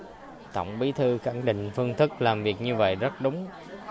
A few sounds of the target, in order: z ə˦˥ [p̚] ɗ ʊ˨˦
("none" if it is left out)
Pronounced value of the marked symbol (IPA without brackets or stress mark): t̚